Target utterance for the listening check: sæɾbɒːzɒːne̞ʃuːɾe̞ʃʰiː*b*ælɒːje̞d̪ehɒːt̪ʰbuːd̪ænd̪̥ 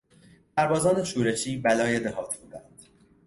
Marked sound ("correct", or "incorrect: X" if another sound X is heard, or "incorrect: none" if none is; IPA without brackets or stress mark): correct